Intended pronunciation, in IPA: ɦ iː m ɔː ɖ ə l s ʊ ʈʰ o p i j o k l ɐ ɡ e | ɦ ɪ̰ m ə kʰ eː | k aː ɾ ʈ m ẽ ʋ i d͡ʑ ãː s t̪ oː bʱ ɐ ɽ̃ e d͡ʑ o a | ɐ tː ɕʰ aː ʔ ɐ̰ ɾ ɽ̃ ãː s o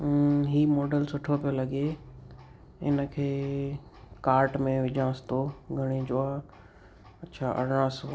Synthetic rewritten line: ɦ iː m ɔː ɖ ə l s ʊ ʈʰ o p i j o l ɐ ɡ e | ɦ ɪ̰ n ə kʰ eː | k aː ɾ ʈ m ẽ ʋ ɪ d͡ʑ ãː s t̪ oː ɡʱ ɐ ɽ̃ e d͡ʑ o a | ɐ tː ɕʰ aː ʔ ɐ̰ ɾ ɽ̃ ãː s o

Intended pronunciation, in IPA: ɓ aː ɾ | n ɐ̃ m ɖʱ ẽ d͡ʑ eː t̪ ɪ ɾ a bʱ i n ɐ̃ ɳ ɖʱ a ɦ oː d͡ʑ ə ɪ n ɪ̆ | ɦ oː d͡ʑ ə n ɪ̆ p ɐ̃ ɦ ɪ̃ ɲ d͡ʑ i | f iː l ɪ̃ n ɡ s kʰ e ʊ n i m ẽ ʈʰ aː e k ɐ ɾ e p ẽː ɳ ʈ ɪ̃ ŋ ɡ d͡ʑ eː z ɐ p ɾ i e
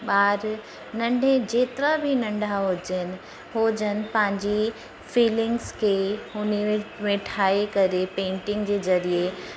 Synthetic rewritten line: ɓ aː ɾ | n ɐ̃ ɳ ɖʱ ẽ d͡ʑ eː t̪ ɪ ɾ a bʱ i n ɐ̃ ɳ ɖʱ a ɦ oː d͡ʑ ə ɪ n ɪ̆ | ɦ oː d͡ʑ ə n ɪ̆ p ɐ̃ ɦ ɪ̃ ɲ d͡ʑ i | f iː l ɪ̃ ŋ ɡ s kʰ e ʊ n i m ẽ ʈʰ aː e k ɐ ɾ e p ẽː ɳ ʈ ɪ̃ ŋ ɡ d͡ʑ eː z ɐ ɾ i e

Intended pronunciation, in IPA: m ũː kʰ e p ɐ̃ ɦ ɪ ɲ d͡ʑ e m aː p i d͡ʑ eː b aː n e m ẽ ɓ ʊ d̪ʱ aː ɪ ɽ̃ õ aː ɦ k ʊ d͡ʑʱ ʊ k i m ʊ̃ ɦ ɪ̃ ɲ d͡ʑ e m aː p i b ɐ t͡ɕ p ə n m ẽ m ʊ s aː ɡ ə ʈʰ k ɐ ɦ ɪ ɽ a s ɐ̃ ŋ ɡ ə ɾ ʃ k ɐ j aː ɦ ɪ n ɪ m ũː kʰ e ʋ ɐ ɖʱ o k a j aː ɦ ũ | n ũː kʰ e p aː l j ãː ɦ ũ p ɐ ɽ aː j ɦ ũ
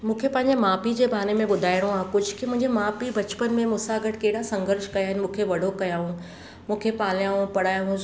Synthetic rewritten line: m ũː kʰ e p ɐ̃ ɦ ɪ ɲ d͡ʑ e m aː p i d͡ʑ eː b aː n e m ẽ ɓ ʊ d̪ʱ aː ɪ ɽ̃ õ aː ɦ k ʊ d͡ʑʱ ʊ k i m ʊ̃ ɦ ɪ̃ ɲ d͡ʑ e m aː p i b ɐ t͡ɕ p ə n m ẽ m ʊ s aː ɡ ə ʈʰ k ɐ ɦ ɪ ɽ a s ɐ̃ ŋ ɡ ə ɾ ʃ k ɐ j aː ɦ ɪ n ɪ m ũː kʰ e ʋ ɐ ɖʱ o k ɐ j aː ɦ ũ | m ũː kʰ e p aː l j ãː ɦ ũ p ɐ ɽ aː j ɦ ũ

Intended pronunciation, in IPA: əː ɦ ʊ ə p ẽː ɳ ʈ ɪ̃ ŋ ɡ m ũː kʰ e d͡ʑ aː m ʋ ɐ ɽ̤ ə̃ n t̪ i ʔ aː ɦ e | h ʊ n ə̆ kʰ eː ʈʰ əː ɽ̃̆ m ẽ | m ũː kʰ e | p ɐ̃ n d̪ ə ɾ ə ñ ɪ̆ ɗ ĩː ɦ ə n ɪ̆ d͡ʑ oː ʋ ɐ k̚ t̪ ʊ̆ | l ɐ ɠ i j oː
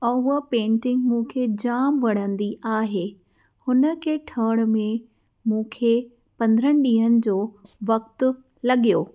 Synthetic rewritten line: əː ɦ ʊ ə p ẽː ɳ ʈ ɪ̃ ŋ ɡ m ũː kʰ e d͡ʑ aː m ʋ ɐ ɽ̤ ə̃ n d̪ i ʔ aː ɦ e | h ʊ n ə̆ kʰ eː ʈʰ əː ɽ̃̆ m ẽ | m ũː kʰ e | p ɐ̃ n d̪ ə ɾ ə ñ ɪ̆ ɗ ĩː ɦ ə n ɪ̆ d͡ʑ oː ʋ ɐ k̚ t̪ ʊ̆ | l ɐ ɠ i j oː

